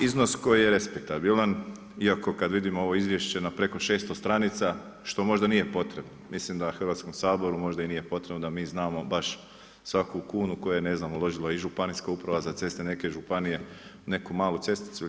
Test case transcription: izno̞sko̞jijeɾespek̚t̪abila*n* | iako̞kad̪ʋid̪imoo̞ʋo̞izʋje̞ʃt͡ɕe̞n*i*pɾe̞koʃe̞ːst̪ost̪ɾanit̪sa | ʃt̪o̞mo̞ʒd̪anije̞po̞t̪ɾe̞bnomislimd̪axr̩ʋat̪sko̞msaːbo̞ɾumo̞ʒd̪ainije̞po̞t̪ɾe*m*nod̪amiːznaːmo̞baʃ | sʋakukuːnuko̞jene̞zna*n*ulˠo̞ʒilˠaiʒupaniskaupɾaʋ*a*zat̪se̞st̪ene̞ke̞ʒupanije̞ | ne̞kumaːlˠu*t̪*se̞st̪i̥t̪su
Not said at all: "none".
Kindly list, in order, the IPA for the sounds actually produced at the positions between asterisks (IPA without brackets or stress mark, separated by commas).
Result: n, a, b, m, a, t̪